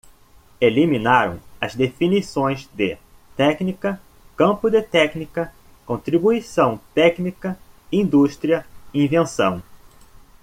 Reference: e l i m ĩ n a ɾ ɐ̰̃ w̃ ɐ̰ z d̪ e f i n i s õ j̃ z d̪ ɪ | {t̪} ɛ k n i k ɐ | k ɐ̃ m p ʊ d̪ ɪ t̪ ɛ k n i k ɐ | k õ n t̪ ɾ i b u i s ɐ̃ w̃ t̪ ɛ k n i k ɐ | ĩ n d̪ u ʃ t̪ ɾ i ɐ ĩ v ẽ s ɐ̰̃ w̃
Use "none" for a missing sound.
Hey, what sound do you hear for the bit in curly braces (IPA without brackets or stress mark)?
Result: t̪